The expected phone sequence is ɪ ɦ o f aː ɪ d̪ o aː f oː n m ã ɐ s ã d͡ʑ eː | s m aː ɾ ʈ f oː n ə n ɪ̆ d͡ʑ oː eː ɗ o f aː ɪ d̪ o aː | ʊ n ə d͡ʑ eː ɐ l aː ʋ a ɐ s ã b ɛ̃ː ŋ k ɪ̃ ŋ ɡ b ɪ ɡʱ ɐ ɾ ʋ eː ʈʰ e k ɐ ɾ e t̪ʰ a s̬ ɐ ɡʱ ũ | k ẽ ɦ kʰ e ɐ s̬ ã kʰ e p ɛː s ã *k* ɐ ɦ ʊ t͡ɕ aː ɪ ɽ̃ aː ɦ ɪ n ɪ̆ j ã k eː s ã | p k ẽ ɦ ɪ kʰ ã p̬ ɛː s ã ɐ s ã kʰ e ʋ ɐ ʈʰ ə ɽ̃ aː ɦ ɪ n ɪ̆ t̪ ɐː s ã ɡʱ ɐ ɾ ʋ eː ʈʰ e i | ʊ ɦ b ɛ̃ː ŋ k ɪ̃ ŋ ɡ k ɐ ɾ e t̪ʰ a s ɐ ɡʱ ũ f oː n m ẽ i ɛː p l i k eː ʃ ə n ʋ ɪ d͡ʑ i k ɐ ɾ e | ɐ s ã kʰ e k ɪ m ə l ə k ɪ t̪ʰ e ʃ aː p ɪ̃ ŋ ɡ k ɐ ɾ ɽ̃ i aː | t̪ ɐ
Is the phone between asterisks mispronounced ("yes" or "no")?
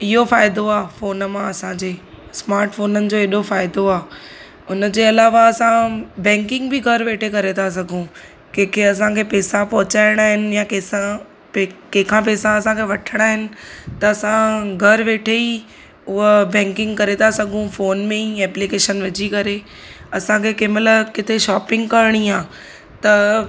yes